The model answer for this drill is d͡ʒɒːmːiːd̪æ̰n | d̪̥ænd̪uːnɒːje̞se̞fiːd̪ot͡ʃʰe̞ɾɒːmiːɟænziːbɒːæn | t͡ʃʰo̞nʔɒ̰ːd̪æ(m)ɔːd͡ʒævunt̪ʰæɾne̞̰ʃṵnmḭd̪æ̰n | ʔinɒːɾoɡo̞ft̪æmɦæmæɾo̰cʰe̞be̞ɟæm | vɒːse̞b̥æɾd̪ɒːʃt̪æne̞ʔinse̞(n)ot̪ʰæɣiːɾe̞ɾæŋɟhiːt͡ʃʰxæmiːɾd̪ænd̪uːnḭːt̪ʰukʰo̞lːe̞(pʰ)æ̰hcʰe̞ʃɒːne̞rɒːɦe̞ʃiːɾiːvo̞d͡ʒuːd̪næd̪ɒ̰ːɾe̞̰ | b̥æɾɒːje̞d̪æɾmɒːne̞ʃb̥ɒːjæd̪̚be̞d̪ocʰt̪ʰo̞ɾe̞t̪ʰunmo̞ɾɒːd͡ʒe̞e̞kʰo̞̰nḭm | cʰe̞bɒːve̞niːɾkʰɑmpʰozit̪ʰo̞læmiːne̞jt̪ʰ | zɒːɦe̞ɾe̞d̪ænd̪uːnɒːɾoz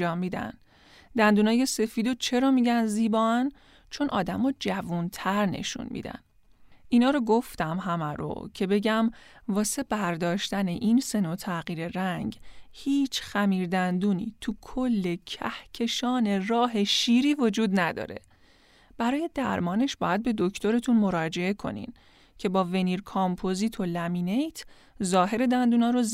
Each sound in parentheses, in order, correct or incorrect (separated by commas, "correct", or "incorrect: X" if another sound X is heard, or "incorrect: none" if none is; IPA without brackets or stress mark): correct, correct, incorrect: cʰ